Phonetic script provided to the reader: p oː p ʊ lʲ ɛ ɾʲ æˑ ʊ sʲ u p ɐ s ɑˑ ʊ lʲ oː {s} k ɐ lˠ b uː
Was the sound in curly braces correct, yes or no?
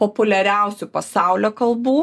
no